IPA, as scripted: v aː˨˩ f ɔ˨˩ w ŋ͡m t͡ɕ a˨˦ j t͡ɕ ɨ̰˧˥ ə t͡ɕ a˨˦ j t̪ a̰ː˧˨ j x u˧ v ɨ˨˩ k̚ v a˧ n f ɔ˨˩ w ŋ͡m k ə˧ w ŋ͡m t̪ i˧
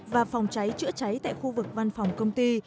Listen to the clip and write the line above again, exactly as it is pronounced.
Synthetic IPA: v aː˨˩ f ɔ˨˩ w ŋ͡m t͡ɕ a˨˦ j t͡ɕ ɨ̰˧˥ ə t͡ɕ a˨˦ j t̪ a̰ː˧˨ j x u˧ v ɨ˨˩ k̚ v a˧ n f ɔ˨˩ w ŋ͡m k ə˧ w ŋ͡m t̪ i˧